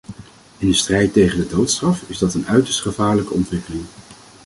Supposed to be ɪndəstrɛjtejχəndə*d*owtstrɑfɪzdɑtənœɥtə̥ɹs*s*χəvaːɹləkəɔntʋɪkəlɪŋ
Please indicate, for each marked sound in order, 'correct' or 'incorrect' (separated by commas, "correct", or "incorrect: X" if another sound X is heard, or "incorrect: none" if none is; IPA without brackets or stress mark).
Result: correct, incorrect: t